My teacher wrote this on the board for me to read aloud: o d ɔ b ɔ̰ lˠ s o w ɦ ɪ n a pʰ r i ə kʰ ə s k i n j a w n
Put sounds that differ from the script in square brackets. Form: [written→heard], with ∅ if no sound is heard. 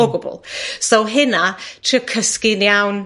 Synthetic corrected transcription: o [d→ɡ] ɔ b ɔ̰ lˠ s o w ɦ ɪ n a [pʰ→tʰ] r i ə kʰ ə s k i n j a w n